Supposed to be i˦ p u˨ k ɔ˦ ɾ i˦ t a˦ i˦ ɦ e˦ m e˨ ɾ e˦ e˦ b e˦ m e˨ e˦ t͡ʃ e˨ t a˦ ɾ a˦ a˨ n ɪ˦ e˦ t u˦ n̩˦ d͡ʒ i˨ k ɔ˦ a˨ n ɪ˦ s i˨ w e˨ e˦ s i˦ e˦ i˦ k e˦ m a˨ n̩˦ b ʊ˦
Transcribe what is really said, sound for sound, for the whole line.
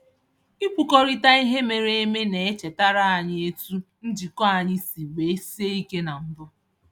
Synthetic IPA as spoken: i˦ p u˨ k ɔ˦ ɾ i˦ t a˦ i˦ ɦ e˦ m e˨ ɾ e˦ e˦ m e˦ n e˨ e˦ t͡ʃ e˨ t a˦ ɾ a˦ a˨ ɲ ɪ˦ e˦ t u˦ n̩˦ d͡ʒ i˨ k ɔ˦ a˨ ɲ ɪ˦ s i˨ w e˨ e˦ s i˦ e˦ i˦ k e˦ n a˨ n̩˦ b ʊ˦